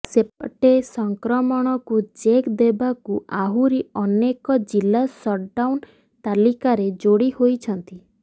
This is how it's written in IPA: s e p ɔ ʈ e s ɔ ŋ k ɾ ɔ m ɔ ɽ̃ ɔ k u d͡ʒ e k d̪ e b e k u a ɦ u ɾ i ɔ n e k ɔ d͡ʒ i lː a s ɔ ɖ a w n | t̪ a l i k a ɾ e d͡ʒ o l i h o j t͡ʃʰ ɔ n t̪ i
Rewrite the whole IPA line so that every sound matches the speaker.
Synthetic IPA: s e p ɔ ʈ e s ɔ ŋ k ɾ ɔ m ɔ ɽ̃ ɔ k u d͡ʒ e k d̪ e b a k u a ɦ u ɾ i ɔ n e k ɔ d͡ʒ i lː a s ɔ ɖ a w n | t̪ a l i k a ɾ e d͡ʒ o ɽ i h o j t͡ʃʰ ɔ n t̪ i